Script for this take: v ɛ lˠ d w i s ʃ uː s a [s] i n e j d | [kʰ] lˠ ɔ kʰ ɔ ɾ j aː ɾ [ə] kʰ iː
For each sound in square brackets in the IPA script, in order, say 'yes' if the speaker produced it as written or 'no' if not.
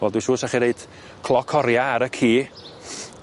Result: no, yes, yes

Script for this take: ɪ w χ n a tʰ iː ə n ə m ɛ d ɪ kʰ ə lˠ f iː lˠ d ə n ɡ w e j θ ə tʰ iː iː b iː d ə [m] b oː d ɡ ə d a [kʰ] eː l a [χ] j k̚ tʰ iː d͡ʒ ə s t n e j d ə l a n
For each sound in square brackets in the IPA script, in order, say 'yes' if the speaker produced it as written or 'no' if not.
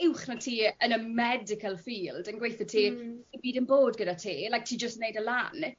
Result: no, no, no

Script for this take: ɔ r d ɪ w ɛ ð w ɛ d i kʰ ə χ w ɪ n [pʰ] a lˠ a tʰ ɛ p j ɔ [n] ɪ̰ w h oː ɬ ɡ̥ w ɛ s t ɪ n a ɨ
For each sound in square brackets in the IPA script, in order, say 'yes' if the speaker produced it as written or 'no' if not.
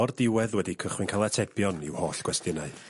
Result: no, yes

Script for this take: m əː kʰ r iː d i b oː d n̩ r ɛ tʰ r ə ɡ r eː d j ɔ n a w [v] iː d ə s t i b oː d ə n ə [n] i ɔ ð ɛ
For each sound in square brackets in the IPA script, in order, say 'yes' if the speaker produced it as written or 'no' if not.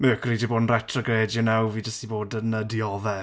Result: yes, no

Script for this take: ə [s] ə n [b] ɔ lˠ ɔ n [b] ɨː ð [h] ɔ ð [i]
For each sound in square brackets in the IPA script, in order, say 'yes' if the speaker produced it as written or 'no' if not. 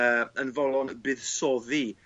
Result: no, no, yes, no, yes

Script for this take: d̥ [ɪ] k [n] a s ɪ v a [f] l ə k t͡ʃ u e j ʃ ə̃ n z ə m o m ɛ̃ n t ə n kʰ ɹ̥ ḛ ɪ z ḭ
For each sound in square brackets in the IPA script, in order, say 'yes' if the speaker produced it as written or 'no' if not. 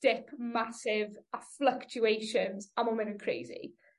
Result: yes, no, yes

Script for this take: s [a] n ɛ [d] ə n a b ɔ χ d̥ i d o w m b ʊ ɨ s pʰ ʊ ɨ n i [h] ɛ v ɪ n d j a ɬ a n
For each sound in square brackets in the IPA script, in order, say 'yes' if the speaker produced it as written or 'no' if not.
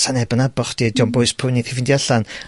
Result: yes, no, no

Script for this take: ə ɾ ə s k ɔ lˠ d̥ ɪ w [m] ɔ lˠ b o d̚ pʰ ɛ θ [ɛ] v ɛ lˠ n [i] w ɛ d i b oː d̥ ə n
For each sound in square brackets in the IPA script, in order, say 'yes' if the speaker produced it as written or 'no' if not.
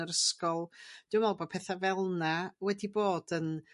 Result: yes, no, no

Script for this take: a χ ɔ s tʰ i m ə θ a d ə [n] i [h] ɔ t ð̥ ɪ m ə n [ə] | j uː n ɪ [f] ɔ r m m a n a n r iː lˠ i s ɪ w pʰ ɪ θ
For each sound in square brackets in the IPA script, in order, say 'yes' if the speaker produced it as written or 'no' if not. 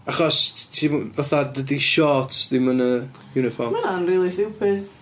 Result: no, no, yes, yes

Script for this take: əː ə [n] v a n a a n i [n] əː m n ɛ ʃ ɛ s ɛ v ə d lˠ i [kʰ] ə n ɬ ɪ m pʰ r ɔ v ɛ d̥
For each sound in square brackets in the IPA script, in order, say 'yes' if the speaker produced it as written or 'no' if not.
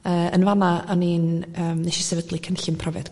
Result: yes, yes, yes

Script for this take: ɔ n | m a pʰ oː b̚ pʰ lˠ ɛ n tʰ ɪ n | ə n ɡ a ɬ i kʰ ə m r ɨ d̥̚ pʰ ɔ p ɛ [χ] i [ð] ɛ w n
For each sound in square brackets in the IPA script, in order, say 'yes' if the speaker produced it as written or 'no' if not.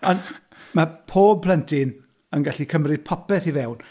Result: no, no

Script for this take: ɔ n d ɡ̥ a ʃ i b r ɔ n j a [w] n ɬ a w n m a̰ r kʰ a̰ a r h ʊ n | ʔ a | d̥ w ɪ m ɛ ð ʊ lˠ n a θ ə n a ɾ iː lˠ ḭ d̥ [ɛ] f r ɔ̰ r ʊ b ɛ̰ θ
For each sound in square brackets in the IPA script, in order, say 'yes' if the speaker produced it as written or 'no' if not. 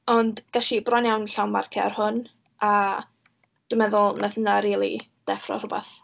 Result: yes, yes

